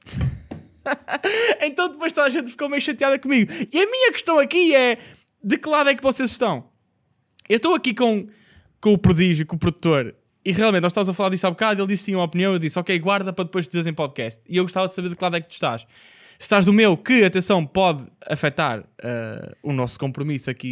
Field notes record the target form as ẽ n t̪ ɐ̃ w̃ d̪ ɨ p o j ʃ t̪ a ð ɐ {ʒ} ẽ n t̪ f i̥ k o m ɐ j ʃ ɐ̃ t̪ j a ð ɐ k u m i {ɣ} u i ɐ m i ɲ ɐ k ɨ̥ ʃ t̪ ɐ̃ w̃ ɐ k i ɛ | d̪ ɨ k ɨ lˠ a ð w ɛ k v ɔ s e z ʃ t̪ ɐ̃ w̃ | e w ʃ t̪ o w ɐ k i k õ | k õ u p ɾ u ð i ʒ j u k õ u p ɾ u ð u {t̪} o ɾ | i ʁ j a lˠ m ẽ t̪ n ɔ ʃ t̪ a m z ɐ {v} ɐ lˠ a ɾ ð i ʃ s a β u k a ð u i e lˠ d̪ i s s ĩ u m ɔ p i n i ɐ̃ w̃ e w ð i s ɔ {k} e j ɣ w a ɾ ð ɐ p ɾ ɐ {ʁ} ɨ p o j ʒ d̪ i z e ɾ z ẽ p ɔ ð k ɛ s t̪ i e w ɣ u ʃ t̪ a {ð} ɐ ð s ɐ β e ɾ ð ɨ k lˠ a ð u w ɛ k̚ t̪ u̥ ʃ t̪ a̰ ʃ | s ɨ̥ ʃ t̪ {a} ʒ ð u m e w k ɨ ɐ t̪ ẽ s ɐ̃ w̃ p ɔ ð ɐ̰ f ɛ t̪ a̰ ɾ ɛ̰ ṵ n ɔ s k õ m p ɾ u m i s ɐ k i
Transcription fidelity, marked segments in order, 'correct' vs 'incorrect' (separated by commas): correct, correct, correct, incorrect, correct, incorrect, incorrect, correct